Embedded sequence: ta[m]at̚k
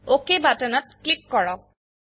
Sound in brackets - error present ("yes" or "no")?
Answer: yes